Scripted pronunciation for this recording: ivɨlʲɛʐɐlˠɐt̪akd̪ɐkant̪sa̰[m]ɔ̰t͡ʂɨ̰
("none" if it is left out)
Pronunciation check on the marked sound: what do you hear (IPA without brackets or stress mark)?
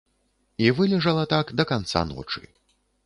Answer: n